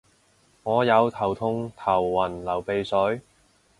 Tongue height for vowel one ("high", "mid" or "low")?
mid